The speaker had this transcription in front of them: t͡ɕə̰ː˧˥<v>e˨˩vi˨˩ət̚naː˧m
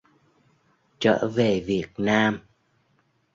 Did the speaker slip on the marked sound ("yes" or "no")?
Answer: no